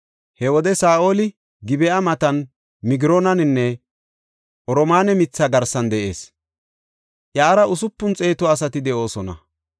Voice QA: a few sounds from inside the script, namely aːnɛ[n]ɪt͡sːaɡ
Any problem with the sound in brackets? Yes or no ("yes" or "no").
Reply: yes